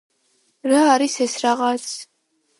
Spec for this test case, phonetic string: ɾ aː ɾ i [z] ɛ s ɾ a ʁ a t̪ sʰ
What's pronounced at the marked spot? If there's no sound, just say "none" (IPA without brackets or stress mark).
s